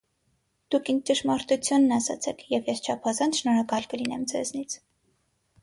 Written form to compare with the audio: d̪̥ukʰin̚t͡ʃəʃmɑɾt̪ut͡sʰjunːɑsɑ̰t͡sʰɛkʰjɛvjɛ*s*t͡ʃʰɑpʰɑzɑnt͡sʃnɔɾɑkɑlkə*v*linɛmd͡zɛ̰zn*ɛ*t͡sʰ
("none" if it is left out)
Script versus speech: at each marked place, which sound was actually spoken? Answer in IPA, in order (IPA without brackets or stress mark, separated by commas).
s, none, i